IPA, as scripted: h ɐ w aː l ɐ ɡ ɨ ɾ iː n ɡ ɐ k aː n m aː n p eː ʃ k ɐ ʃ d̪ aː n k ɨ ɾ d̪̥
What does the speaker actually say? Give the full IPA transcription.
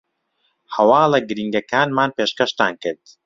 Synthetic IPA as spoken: h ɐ w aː l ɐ ɡ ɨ ɾ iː ŋ ɡ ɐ k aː n m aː n p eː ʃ k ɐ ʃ t̪ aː n k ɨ ɾ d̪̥